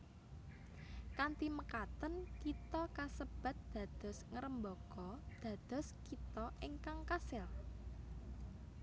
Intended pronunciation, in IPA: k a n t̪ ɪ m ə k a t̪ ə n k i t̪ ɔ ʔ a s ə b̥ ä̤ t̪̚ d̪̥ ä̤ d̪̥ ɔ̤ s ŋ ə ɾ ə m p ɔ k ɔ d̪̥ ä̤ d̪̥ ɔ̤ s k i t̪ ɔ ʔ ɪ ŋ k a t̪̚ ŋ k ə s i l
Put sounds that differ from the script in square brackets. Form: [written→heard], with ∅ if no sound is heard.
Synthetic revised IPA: k a n t̪ [ɪ→i] m ə k a t̪ ə n k i t̪ ɔ [ʔ→k] a s ə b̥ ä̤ t̪̚ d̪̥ ä̤ d̪̥ ɔ̤ s ŋ ə ɾ ə m [p→b] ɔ k ɔ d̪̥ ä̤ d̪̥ ɔ̤ s k i t̪ ɔ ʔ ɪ ŋ k a [t̪̚→∅] ŋ k [ə→a] s [i→ɪ] l